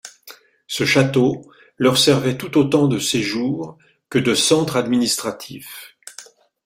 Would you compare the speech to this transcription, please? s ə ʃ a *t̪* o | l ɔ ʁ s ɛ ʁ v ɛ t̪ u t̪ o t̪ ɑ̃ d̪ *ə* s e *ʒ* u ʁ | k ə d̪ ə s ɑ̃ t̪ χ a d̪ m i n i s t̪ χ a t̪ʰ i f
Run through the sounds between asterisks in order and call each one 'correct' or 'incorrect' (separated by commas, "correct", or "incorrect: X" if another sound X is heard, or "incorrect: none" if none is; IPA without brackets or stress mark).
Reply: correct, correct, correct